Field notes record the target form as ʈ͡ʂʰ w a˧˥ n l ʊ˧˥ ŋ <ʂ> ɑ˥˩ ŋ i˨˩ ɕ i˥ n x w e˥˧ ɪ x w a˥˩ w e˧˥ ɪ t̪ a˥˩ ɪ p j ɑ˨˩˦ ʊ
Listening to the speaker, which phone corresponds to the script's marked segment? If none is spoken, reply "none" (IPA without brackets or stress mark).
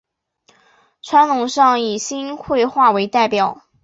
ʂ